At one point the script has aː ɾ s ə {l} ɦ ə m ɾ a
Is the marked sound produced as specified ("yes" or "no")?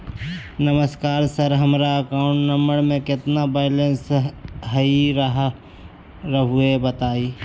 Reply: no